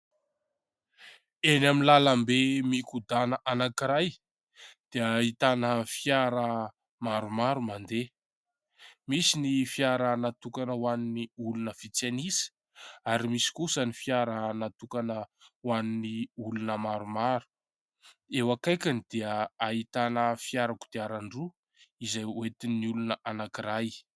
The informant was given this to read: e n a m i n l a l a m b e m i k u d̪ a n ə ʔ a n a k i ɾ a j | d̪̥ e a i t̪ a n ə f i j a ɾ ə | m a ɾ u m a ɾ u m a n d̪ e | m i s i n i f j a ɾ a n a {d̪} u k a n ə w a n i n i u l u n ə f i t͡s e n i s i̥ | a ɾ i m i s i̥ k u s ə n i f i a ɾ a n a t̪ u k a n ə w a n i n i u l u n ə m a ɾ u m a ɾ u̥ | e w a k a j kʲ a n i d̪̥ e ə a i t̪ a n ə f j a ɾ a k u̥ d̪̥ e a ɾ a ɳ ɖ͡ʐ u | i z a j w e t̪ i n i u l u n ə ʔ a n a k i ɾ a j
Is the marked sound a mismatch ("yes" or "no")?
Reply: yes